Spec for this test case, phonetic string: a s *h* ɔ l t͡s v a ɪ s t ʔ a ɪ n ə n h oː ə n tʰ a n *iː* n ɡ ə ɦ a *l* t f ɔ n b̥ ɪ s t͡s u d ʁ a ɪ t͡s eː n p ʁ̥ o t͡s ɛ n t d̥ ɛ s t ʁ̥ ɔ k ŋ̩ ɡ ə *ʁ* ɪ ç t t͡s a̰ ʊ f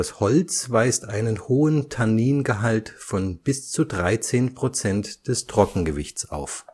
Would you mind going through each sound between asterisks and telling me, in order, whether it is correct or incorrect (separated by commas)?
correct, correct, correct, incorrect